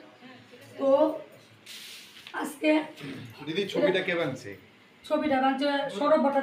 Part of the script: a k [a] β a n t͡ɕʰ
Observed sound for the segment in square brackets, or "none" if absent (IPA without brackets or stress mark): e